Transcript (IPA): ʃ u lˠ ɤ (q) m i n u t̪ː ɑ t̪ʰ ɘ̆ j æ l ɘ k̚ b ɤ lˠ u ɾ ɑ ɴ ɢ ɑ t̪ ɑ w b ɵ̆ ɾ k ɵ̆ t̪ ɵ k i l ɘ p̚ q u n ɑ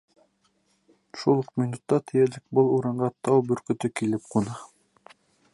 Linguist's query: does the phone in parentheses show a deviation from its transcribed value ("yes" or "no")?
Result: no